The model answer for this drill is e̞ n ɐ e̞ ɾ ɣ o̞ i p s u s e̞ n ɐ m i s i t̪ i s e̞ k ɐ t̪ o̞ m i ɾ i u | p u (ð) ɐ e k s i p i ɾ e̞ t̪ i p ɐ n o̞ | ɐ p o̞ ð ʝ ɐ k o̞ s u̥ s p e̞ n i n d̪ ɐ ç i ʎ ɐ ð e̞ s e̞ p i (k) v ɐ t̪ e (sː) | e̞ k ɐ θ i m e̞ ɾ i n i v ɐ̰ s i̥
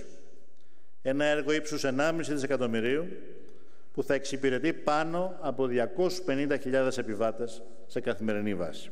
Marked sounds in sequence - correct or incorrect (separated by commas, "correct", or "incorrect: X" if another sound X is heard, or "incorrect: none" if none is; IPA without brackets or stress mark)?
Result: incorrect: θ, incorrect: none, correct